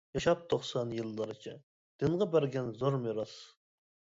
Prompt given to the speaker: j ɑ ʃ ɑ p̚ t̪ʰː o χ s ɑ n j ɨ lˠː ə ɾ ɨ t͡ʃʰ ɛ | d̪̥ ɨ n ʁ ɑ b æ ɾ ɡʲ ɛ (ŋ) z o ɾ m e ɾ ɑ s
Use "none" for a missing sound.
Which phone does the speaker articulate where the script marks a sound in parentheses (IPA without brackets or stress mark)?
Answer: n